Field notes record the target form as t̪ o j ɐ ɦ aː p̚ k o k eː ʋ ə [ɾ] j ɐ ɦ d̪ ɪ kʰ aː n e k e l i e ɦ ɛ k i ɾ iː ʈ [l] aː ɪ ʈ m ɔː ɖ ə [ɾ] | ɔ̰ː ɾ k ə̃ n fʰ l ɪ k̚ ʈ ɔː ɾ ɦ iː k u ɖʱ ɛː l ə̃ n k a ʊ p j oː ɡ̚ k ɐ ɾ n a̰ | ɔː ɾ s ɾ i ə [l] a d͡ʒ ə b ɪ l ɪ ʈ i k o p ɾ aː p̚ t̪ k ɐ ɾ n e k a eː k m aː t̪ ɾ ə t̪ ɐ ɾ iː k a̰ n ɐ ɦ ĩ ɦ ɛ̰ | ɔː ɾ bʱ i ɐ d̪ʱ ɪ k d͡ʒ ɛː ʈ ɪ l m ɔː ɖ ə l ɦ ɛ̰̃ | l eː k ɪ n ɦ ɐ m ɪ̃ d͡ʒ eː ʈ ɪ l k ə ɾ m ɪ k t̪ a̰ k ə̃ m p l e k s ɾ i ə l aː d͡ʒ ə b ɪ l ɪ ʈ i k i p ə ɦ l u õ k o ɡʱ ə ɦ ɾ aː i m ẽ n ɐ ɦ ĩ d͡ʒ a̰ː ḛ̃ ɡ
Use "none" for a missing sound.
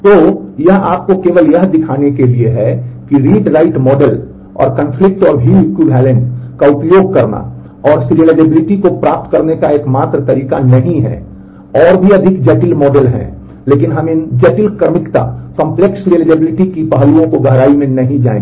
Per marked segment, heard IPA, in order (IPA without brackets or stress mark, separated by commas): l, ɾ, l, l